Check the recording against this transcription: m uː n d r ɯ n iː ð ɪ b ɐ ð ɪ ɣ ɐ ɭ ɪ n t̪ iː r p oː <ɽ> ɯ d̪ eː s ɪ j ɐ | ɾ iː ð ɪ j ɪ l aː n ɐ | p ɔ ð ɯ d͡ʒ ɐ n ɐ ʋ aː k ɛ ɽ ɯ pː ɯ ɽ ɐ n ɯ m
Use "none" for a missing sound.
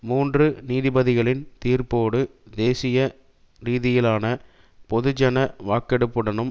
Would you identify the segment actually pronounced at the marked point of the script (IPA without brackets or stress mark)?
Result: ɽ